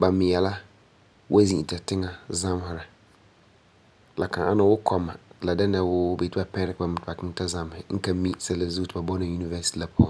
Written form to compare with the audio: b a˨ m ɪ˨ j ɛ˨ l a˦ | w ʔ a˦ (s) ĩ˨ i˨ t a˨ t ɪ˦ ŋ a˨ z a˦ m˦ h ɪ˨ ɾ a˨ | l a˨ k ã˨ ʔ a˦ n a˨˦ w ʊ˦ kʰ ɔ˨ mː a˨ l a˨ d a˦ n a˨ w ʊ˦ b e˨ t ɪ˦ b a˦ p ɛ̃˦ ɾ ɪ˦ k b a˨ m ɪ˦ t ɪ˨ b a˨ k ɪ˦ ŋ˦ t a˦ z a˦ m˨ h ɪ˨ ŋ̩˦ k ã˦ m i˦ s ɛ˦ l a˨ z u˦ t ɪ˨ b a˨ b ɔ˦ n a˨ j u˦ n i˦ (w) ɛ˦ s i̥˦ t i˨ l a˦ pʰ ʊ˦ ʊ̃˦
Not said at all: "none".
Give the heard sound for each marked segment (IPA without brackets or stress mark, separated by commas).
z, v